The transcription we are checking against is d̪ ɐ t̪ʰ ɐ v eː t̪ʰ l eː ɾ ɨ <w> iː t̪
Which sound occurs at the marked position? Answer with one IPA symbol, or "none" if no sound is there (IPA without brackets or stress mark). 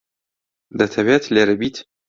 b